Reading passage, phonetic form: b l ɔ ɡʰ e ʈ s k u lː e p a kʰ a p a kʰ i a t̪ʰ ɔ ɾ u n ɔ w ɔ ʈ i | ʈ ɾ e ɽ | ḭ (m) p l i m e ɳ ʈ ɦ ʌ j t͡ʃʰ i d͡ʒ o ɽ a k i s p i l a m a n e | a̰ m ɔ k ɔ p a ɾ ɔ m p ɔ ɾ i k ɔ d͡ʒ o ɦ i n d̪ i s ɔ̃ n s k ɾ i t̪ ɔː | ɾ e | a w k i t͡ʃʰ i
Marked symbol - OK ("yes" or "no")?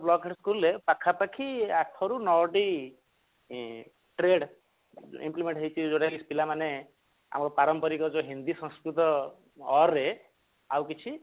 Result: yes